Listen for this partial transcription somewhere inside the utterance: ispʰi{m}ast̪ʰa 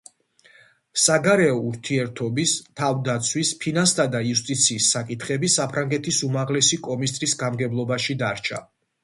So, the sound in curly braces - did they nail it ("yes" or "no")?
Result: no